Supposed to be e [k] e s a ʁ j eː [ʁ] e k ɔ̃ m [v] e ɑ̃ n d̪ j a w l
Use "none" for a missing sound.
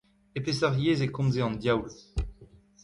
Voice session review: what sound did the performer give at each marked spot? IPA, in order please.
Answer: p, z, z

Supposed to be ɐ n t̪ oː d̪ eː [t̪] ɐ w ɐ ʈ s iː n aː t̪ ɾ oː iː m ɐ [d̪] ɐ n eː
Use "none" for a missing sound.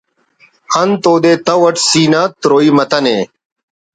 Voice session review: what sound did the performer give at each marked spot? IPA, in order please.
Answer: t̪, t̪

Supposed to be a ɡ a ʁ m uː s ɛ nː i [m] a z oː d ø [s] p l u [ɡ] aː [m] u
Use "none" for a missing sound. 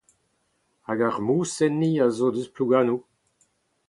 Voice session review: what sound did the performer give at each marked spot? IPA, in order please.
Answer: none, s, ɡ, n

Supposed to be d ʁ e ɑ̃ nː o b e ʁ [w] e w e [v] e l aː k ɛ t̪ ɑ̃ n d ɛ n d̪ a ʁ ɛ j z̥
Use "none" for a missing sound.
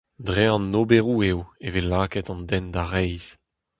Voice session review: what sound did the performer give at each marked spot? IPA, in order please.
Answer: u, v

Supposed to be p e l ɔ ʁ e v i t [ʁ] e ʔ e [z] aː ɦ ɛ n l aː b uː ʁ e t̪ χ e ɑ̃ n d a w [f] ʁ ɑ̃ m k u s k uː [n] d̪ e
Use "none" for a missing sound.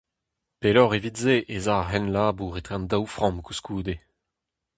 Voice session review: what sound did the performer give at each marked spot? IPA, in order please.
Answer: z, z, f, none

